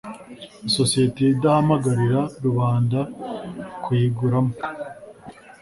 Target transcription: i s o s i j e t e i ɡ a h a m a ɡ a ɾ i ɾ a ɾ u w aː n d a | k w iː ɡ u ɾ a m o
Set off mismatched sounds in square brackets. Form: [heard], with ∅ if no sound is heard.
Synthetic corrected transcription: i s o s i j e t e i [d] a h a m a ɡ a ɾ i ɾ a ɾ u [β] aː n d a | k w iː ɡ u ɾ a m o